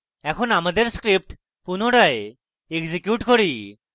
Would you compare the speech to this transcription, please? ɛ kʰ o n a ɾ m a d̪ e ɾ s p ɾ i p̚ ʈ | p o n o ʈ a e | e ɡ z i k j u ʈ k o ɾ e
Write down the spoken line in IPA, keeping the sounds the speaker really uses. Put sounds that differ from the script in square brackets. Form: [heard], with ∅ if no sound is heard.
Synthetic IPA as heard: ɛ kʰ o n a [∅] m a d̪ e ɾ s [k] ɾ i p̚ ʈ | p [u] n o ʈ a e | e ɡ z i k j u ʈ k o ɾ [i]